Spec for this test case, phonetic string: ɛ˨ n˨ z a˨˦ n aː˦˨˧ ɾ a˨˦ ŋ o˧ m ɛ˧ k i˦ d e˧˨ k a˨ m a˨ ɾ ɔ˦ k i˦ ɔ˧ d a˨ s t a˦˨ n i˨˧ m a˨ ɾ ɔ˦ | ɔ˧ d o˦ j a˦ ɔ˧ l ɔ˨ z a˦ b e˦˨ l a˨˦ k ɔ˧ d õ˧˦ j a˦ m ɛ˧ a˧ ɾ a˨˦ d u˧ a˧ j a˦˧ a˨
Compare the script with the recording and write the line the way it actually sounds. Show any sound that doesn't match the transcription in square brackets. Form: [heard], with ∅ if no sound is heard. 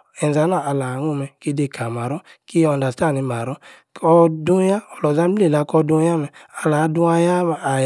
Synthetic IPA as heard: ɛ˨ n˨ z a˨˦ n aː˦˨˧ [l] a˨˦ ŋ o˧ m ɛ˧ k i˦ d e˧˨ k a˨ m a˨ ɾ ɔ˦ k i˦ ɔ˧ d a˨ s t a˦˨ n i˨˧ m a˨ ɾ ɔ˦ | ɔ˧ d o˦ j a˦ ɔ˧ l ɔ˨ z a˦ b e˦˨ l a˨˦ k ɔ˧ d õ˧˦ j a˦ m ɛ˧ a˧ [l] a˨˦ d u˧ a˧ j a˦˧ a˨